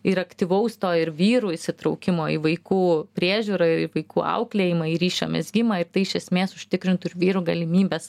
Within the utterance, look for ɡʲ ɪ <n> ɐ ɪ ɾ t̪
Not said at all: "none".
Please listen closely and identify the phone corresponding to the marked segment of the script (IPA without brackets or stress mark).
m